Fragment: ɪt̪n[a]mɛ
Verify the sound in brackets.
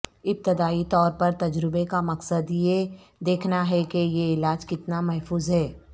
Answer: correct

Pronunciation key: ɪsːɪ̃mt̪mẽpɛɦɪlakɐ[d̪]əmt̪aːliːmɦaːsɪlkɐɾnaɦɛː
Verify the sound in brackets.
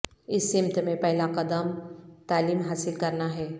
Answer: correct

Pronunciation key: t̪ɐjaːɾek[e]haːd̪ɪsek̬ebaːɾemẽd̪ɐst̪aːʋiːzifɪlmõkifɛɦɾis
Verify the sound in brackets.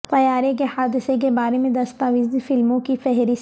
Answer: correct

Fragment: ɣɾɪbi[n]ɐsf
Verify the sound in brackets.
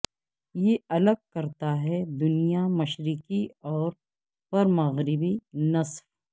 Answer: correct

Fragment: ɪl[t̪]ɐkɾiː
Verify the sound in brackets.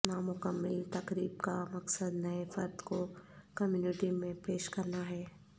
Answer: correct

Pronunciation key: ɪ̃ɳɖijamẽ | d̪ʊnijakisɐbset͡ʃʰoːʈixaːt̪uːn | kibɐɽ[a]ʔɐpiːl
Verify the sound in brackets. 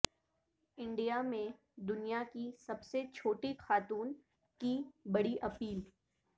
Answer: incorrect: i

